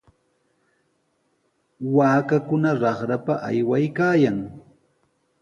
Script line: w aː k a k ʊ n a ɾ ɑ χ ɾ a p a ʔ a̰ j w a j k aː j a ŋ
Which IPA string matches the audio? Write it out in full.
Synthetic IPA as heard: w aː k a k ʊ n a ɾ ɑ χ ɾ a p a ʔ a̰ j w a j k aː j a ŋ

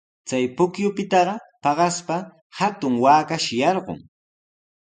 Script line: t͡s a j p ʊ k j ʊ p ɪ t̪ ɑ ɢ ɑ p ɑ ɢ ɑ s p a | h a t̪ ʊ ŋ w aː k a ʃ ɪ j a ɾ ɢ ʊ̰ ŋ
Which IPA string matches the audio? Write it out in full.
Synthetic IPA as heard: t͡s a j p ʊ k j ʊ p ɪ t̪ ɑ ɢ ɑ p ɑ ɢ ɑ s p a | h a t̪ ʊ ŋ w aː k a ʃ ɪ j ɑ ɾ ɢ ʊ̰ ŋ

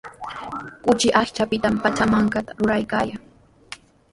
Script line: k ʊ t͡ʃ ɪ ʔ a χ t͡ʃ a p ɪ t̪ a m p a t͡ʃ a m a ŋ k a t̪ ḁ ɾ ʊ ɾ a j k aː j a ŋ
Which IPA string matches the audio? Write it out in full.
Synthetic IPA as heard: k ʊ t͡ʃ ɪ ʔ a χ t͡ʃ a p ɪ t̪ a m p a t͡ʃ a m a ŋ k a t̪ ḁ ɾ ʊ ɾ a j k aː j a ŋ

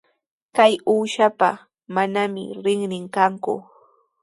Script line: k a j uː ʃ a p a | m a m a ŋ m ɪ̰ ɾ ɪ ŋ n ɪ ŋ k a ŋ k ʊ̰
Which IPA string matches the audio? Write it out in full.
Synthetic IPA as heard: k a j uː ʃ a p a | m a n a m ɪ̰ ɾ ɪ ŋ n ɪ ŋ k a ŋ k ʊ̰

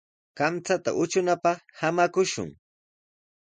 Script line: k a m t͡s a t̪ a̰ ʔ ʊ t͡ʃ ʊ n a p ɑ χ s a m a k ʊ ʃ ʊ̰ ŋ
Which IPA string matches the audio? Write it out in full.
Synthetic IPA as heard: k a m t͡s a t̪ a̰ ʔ ʊ t͡ʃ ʊ n a p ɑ χ h a m a k ʊ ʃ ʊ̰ ŋ

